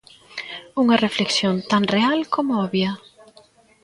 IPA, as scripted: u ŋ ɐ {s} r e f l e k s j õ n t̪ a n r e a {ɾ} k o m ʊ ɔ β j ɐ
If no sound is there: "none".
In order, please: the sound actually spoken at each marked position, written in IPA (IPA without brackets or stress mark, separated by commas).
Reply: none, l